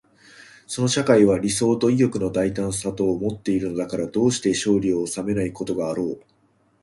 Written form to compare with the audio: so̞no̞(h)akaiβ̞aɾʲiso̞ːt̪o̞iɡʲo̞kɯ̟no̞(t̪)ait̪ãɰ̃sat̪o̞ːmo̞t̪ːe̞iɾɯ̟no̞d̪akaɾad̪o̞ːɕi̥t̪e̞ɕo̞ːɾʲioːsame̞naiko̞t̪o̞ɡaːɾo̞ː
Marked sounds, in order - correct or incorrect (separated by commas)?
incorrect, incorrect